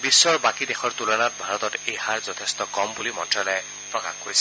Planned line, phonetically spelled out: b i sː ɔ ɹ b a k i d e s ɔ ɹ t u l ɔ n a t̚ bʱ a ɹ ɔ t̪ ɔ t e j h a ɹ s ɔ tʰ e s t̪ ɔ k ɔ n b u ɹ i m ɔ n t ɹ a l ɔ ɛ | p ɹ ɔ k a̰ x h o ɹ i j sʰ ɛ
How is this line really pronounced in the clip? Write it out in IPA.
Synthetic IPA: b i sː ɔ ɹ b a k i d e x ɔ ɹ t u l ɔ n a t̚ bʱ a ɹ ɔ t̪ ɔ t e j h a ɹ z ɔ tʰ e s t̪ ɔ k ɔ m b u l i m ɔ n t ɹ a l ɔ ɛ | p ɹ ɔ k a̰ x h o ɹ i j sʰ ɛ